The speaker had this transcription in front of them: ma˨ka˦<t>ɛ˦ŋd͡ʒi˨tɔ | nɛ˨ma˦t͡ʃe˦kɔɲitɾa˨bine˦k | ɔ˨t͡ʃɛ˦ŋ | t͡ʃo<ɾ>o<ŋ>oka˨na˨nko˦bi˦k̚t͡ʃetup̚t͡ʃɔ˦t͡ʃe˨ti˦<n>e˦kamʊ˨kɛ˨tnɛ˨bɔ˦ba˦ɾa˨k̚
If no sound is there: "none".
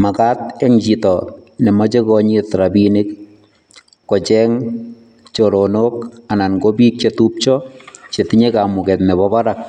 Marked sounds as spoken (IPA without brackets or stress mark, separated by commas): t, ɾ, n, ɲ